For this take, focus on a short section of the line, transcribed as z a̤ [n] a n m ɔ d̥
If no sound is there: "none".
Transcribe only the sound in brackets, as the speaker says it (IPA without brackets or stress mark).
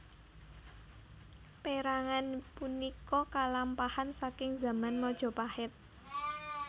m